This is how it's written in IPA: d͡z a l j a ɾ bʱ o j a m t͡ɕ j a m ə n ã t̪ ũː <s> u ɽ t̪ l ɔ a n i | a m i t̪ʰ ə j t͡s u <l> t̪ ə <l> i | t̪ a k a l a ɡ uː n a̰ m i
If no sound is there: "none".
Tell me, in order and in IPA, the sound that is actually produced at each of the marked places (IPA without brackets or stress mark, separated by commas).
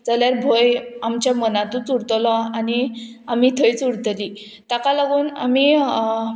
t͡s, ɽ, l